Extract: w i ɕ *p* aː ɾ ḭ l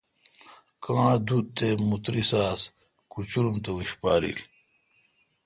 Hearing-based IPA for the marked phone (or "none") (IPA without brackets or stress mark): p